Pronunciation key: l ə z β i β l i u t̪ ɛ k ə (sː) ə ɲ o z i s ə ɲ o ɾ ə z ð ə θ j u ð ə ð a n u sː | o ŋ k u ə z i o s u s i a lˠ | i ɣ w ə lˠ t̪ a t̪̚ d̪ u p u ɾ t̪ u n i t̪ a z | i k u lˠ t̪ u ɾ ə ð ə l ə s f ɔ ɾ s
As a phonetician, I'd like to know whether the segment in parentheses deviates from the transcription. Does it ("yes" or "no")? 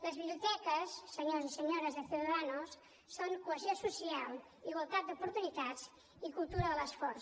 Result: no